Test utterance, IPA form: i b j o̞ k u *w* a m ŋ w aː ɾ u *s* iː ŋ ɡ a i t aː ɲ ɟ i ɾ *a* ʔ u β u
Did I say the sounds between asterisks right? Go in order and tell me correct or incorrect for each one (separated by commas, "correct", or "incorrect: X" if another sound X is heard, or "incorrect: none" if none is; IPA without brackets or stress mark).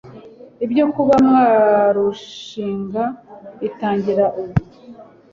incorrect: β, incorrect: ʃ, correct